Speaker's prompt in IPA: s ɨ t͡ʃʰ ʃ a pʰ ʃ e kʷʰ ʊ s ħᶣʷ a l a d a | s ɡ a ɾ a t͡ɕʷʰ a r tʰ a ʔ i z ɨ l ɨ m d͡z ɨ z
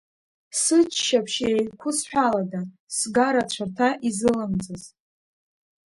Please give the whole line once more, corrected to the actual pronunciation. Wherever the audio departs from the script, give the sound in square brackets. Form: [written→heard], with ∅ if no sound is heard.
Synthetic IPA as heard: s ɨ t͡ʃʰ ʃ a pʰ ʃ e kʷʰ ʊ s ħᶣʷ a l a d a | s ɡ a ɾ a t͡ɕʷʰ a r tʰ a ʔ i z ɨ l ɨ m d͡z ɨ z

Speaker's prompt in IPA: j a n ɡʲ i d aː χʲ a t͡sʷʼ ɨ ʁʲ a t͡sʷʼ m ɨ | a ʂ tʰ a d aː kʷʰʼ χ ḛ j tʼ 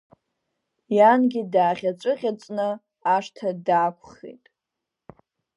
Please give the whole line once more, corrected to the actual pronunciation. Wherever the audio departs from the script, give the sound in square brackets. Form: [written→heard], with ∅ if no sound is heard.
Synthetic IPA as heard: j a n ɡʲ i d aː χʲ a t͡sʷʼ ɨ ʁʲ a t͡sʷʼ [m→n] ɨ | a ʂ tʰ a d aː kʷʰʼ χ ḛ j tʼ

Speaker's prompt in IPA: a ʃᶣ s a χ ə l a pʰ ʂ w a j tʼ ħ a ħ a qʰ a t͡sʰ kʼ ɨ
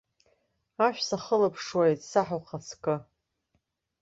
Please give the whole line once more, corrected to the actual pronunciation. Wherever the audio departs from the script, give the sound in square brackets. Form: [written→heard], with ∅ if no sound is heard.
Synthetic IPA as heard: a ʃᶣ s a χ ə l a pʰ ʂ w a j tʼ [ħ→s] a ħ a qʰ a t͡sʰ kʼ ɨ

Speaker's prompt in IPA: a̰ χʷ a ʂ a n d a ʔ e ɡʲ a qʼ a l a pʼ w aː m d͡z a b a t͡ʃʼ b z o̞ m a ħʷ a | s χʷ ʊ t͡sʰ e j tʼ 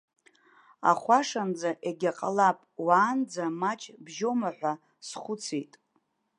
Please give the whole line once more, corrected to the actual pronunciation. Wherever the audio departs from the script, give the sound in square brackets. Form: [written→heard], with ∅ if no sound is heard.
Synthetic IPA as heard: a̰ χʷ a ʂ a n [d→d͡z] a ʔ e ɡʲ a qʼ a l a pʼ w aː [m→n] d͡z a [b→m] a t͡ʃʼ b [z→ʒ] o̞ m a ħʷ a | s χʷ ʊ t͡sʰ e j tʼ

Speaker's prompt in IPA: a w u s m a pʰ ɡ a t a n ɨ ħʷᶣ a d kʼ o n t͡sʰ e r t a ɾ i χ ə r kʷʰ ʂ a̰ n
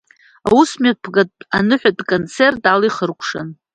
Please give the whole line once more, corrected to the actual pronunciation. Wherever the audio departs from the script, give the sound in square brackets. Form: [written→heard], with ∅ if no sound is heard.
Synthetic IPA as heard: a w u s m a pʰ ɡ a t a n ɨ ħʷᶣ a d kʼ o n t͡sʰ e r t a [ɾ→l] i χ ə r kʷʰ ʂ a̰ n

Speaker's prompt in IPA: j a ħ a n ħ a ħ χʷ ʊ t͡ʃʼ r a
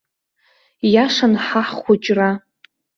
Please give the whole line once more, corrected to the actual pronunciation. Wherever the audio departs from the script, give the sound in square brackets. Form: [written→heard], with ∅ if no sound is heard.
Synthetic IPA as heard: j a [ħ→ʂ] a n ħ a ħ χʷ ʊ t͡ʃʼ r a

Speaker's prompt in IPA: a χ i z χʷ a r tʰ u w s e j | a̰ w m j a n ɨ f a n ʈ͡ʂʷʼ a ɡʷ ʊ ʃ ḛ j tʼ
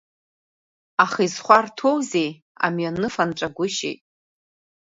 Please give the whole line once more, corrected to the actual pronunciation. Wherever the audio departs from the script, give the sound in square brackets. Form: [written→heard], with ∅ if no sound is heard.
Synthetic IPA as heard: a χ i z χʷ a r tʰ [u→o] w [s→z] e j | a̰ [w→∅] m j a n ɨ f a n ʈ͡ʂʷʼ a ɡʷ ʊ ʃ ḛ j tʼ

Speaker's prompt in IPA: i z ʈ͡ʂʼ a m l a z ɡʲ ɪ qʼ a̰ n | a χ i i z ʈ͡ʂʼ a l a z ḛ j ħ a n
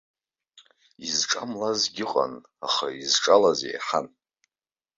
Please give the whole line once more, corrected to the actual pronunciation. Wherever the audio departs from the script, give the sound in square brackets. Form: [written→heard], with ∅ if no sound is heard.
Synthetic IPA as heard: i z ʈ͡ʂʼ a m l a z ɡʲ ɪ qʼ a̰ n | a χ [i→a] i z ʈ͡ʂʼ a l a z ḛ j ħ a n

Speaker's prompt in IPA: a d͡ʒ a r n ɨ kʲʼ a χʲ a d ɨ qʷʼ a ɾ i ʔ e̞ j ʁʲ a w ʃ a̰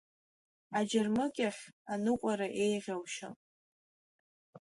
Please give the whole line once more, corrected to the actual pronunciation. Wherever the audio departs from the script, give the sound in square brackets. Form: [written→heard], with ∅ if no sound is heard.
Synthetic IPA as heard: a d͡ʒ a r [n→m] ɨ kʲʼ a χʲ a [d→n] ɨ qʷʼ a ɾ [i→a] ʔ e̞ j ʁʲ a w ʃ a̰

